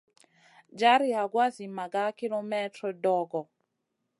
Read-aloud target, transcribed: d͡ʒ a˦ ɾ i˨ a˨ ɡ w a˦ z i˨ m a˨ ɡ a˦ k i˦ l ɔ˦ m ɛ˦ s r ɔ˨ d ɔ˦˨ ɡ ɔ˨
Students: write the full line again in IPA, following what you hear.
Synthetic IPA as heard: d͡ʒ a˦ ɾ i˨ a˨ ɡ w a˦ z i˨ m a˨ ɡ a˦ k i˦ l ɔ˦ m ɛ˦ t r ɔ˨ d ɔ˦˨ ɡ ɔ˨

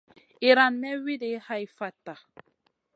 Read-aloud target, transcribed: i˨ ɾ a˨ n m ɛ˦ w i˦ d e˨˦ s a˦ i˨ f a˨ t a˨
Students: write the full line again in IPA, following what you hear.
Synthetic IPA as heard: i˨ ɾ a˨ n m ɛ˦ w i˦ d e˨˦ h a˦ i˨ f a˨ t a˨

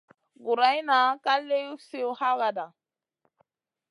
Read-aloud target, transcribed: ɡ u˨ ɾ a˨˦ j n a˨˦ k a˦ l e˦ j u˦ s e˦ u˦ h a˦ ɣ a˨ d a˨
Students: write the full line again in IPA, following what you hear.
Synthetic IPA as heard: ɡ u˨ ɾ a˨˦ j n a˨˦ k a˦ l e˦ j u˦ s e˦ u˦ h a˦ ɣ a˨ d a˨

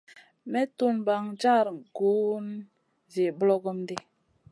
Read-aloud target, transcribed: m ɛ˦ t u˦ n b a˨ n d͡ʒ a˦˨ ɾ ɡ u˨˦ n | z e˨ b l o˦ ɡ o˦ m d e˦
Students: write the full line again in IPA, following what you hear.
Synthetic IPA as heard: m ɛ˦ t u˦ n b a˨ ŋ d͡ʒ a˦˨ ɾ ɡ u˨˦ n | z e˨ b l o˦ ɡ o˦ m d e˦

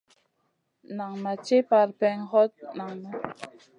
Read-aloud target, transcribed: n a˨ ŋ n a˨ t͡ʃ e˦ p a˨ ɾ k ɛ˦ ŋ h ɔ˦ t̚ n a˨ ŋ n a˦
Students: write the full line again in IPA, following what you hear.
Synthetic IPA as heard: n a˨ ŋ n a˨ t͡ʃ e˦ p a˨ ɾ p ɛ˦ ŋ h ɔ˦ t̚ n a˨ ŋ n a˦

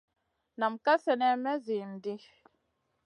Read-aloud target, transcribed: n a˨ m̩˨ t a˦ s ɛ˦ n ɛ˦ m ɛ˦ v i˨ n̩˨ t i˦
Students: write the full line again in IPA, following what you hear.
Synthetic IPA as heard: n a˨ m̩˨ k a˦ s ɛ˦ n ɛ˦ m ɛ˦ z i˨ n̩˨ d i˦

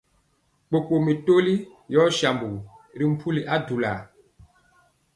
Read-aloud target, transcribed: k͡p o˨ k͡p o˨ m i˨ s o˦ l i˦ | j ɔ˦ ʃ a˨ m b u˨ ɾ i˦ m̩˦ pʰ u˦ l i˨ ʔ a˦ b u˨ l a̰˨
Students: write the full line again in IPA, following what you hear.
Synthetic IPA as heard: k͡p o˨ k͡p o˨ m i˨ t o˦ l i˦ | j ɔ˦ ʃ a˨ m b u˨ ɾ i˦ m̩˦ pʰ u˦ l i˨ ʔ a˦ d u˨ l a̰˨

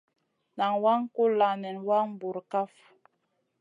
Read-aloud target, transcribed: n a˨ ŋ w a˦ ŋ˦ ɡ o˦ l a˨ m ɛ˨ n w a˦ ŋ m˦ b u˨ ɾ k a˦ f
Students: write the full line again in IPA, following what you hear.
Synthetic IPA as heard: n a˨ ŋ w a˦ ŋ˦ k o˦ l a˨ n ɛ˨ n w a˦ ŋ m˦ b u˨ ɾ k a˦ f

